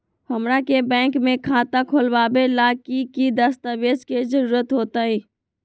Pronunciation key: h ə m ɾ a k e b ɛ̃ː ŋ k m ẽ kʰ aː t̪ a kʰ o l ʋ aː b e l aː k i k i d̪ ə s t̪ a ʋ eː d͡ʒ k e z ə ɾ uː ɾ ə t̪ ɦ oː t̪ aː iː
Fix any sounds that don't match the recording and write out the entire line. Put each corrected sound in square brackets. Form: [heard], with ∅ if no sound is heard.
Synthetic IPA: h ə m ɾ a k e b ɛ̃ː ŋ k m ẽ kʰ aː t̪ a kʰ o l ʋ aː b e l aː k i k i d̪ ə s t̪ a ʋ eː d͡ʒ k e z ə ɾ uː ɾ ə t̪ ɦ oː t̪ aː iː